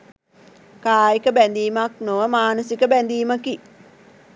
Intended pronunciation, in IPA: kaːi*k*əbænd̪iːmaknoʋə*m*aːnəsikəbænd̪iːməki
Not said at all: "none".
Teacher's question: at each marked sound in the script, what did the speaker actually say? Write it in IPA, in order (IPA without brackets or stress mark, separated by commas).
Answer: k, m